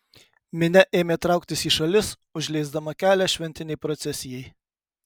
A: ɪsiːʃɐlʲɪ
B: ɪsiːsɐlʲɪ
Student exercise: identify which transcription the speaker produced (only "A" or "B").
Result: A